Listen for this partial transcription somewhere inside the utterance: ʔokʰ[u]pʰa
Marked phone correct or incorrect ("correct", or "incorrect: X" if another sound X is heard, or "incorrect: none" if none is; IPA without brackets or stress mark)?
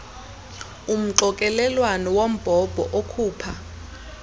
incorrect: uː